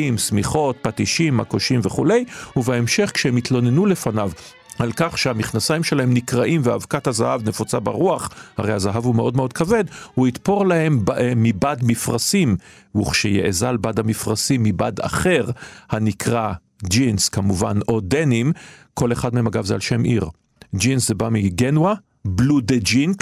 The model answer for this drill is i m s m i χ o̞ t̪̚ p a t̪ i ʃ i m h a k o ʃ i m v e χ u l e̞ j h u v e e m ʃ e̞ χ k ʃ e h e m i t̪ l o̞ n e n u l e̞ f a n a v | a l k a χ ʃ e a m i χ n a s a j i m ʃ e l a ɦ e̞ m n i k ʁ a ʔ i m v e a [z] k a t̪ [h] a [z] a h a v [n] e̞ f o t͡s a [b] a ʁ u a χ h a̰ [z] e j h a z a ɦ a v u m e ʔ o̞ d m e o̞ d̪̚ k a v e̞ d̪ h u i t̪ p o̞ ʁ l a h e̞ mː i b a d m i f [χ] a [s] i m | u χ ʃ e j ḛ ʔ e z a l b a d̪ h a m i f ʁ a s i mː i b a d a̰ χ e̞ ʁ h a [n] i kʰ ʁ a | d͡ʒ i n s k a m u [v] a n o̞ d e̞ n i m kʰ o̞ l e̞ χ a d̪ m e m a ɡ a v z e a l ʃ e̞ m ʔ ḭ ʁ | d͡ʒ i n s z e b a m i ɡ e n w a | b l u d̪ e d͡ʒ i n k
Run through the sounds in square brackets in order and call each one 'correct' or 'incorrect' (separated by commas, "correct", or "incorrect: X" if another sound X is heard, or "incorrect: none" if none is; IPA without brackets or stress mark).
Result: incorrect: v, correct, correct, correct, correct, incorrect: ʁ, incorrect: ʁ, correct, correct, correct